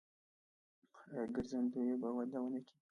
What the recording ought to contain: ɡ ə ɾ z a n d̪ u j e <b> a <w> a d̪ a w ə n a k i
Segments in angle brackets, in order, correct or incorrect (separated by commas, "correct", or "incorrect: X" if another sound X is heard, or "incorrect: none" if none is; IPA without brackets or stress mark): correct, correct